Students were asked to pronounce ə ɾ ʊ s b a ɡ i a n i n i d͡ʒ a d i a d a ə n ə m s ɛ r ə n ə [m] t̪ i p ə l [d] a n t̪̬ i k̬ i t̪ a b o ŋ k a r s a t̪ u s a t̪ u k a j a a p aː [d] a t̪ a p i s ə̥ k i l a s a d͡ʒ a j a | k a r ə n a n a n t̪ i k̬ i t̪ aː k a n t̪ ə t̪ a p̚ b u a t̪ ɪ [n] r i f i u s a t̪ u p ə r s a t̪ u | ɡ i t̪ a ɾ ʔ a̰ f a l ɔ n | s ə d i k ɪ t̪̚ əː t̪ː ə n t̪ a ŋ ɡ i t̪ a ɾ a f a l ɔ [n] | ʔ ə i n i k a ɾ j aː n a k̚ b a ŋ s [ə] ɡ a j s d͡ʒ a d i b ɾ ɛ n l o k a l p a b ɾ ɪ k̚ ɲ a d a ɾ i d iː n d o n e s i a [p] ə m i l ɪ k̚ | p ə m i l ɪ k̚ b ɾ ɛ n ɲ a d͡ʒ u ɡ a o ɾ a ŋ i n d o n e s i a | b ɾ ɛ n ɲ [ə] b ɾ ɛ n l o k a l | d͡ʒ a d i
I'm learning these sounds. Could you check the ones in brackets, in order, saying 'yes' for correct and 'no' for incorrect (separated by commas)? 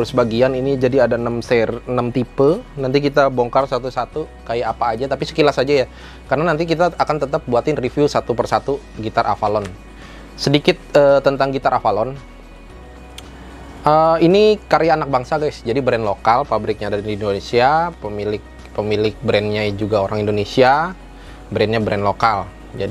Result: yes, no, no, yes, yes, no, yes, no